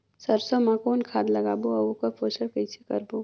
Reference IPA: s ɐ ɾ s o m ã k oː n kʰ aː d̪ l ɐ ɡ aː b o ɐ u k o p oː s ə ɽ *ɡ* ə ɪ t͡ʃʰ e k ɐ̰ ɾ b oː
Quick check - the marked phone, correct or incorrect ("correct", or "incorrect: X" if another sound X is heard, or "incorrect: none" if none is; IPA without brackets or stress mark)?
incorrect: k